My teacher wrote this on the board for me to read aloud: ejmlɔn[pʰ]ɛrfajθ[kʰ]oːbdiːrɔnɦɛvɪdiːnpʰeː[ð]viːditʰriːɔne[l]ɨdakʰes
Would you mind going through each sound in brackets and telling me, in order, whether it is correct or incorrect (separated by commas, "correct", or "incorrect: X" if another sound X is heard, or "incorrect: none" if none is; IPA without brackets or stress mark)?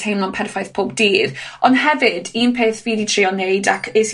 correct, incorrect: pʰ, incorrect: θ, incorrect: none